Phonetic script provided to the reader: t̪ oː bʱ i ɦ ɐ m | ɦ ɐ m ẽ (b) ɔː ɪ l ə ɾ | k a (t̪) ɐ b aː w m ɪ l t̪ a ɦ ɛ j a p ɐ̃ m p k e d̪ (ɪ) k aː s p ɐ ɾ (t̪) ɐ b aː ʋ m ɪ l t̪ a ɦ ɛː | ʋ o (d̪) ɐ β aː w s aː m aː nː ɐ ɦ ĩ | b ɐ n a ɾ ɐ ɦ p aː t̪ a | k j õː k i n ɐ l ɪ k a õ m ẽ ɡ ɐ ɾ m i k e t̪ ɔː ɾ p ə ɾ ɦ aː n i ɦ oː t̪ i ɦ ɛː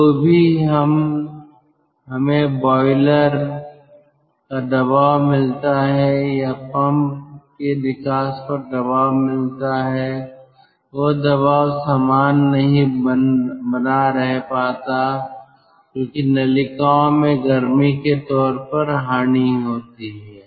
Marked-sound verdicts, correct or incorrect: correct, incorrect: d̪, correct, incorrect: d̪, correct

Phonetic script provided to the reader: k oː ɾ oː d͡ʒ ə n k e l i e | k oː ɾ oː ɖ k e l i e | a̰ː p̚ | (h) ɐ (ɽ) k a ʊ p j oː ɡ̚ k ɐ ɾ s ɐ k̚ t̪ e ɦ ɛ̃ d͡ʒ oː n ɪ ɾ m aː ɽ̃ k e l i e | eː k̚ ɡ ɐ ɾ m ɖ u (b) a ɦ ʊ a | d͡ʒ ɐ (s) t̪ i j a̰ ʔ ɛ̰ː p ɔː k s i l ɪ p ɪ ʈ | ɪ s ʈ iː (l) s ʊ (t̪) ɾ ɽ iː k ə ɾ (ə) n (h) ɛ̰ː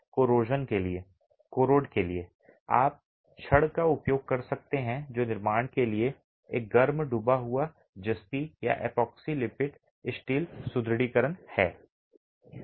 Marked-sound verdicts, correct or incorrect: incorrect: ʃ, correct, correct, correct, correct, incorrect: d̪, correct, correct

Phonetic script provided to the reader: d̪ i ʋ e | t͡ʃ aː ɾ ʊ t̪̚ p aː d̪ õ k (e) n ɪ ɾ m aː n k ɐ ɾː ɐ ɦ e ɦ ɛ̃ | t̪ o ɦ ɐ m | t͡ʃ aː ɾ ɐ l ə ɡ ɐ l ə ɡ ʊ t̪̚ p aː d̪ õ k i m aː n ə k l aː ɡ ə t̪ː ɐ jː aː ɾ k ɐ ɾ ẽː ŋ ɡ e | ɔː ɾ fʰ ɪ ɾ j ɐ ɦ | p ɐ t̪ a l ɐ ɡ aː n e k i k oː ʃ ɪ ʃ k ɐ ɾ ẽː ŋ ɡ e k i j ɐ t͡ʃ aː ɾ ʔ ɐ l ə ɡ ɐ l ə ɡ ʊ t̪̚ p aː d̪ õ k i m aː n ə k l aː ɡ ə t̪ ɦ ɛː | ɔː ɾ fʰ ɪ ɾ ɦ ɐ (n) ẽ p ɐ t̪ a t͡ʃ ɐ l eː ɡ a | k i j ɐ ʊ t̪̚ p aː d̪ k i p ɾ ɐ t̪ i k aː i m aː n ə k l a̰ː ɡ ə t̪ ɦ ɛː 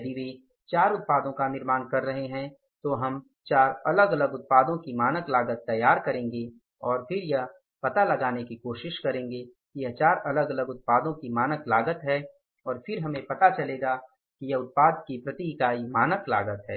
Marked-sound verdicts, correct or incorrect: incorrect: a, incorrect: m

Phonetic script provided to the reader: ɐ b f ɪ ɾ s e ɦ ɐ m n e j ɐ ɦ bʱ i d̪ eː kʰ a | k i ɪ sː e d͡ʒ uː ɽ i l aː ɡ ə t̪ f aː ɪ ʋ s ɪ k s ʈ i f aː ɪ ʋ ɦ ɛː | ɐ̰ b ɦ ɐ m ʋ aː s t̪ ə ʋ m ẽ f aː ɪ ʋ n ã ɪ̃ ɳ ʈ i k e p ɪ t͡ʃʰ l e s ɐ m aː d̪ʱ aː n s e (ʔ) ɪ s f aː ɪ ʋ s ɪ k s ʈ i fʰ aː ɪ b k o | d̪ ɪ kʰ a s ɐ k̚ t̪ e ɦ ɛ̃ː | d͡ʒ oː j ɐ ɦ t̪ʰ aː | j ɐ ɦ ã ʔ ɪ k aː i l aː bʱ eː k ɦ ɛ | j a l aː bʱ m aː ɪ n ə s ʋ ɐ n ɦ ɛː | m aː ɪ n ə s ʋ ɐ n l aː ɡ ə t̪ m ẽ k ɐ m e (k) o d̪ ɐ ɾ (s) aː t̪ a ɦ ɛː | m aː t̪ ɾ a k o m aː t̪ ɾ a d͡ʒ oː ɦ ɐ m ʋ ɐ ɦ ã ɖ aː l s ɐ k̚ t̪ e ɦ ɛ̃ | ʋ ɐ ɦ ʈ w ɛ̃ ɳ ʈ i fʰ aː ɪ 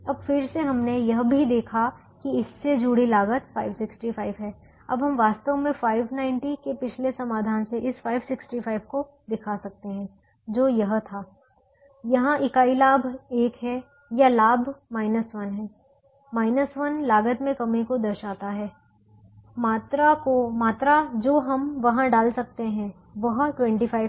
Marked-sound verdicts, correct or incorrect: correct, correct, incorrect: ʃ

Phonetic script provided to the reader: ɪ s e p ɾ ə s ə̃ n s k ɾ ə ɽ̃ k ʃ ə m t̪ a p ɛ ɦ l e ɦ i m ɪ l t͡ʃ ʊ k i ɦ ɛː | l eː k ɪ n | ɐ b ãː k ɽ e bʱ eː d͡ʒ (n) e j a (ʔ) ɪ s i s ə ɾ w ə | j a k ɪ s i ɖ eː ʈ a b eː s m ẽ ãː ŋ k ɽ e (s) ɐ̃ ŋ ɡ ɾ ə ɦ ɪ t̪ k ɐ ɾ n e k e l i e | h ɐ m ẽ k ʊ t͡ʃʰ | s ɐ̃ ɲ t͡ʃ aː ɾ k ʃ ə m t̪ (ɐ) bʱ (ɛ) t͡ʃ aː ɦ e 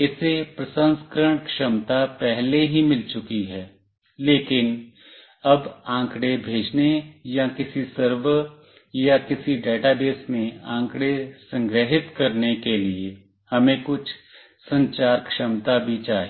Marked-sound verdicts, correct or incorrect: correct, incorrect: k, correct, incorrect: a, incorrect: i

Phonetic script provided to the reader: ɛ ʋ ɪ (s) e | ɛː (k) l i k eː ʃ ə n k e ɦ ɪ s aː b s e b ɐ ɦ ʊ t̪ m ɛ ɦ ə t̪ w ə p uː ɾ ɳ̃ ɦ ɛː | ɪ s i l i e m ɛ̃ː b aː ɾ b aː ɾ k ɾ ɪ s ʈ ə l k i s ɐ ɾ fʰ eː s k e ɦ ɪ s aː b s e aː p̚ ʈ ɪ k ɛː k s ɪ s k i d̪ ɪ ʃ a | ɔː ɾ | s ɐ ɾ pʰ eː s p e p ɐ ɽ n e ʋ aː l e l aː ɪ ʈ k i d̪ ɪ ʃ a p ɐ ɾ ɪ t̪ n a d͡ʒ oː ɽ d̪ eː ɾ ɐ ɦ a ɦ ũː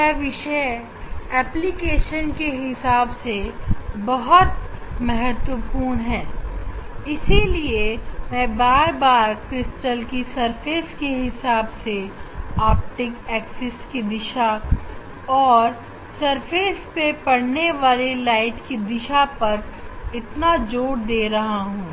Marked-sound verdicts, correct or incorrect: incorrect: ʃ, incorrect: p

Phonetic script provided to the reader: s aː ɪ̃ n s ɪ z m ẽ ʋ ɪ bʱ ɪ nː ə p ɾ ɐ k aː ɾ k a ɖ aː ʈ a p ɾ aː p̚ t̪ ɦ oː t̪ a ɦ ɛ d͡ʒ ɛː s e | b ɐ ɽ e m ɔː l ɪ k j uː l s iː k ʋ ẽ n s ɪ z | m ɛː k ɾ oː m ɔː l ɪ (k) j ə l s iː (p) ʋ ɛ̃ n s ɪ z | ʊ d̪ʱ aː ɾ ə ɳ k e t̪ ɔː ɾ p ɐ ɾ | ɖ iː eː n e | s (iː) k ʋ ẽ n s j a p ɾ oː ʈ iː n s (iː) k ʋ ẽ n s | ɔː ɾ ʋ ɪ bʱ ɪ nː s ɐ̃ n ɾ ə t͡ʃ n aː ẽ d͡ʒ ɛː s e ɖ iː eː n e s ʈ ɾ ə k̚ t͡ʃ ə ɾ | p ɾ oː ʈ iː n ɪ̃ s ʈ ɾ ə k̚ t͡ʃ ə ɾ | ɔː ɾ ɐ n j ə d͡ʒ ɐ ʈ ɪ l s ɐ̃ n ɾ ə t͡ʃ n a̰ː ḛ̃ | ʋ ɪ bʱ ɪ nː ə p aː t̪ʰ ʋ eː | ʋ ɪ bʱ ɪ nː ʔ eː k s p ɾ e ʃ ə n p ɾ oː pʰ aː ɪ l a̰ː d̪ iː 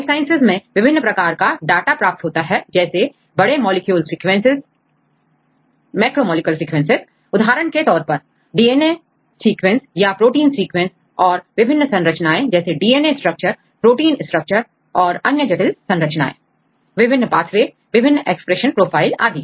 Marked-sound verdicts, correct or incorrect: correct, incorrect: k, correct, correct

